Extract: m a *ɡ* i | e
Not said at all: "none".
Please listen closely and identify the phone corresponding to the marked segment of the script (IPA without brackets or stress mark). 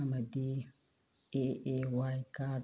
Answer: d